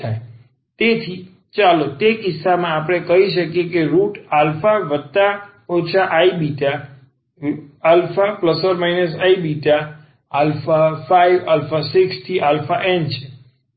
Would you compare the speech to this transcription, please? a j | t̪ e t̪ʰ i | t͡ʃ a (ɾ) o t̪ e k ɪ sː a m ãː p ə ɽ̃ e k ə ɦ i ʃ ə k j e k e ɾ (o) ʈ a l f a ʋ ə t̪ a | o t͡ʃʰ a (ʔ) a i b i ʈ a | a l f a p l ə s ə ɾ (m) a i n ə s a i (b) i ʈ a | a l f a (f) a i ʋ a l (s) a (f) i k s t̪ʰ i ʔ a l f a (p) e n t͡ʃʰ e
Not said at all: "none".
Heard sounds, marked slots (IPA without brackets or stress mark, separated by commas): l, u, ʔ, m, b, f, f, s, ʔ